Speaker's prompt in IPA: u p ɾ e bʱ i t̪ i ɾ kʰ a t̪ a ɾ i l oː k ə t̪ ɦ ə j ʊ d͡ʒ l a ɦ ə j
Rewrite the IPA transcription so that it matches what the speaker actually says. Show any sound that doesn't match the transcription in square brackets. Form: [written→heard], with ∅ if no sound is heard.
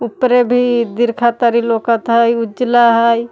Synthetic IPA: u p ɾ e bʱ i [t̪→d̪] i ɾ kʰ a t̪ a ɾ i l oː k ə t̪ ɦ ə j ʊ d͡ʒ l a ɦ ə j